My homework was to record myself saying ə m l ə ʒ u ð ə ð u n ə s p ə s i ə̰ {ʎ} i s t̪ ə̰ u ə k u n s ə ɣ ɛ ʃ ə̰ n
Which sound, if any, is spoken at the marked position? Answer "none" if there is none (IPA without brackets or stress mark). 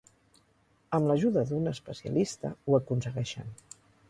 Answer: l